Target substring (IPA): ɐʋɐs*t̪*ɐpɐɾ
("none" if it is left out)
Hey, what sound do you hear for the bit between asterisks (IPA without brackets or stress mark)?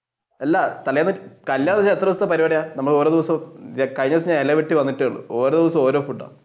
t̪